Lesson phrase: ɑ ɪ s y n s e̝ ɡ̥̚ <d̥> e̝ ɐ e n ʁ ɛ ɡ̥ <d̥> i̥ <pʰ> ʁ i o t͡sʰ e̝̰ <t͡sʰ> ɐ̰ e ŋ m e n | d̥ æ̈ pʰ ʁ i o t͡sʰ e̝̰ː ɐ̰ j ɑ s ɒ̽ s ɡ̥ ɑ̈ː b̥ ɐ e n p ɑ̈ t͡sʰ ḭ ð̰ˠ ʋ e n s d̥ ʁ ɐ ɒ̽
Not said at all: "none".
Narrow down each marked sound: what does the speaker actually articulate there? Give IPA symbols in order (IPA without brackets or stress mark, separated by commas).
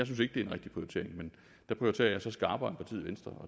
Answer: d̥, d̥, pʰ, none